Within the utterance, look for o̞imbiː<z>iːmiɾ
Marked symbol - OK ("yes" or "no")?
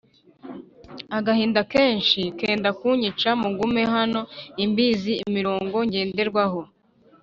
yes